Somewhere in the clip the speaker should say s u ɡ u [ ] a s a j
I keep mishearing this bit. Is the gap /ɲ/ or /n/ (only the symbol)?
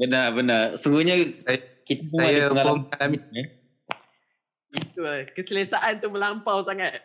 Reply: ɲ